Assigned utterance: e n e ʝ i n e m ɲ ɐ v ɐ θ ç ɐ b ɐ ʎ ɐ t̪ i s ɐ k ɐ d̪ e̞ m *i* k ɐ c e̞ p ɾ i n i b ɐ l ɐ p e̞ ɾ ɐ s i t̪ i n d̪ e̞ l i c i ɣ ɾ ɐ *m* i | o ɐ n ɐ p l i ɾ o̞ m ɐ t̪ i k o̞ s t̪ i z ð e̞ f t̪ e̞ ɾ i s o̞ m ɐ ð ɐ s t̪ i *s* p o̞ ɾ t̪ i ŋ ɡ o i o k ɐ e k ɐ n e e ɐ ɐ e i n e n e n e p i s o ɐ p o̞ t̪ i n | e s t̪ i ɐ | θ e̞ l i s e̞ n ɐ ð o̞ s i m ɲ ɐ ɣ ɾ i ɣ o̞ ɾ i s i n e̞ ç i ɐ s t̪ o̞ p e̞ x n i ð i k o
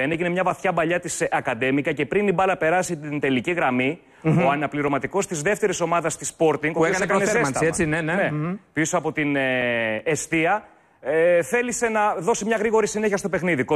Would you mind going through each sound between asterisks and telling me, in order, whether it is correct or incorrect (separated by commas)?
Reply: correct, correct, correct